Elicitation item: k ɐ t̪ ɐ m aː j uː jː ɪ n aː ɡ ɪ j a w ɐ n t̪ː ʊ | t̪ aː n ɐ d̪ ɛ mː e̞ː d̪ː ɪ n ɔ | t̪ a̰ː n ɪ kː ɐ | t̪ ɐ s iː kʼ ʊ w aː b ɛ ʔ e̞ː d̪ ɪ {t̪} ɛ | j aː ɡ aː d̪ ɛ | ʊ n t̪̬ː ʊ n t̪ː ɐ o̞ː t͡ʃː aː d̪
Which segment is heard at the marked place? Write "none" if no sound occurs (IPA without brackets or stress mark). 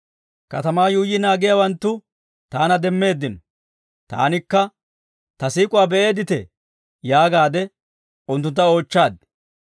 t̪